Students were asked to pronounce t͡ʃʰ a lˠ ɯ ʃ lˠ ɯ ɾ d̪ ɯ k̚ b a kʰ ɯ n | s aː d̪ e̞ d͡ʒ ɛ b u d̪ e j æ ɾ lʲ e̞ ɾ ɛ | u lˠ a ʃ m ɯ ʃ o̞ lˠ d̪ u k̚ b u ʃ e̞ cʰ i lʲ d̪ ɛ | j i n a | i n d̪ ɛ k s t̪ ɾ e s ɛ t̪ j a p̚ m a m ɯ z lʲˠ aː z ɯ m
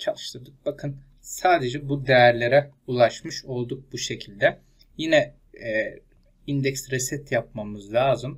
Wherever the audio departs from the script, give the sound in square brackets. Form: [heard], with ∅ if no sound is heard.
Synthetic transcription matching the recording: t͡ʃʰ a lˠ ɯ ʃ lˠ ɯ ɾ d̪ ɯ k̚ b a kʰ ɯ n | s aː d̪ e̞ d͡ʒ ɛ b u d̪ e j æ ɾ lʲ e̞ ɾ ɛ | u lˠ a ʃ m ɯ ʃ o̞ lˠ d̪ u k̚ b u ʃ e̞ cʰ i lʲ d̪ ɛ | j i n [ɛ] | i n d̪ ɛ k s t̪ ɾ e s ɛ t̪ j a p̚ m a m ɯ z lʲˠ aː z ɯ m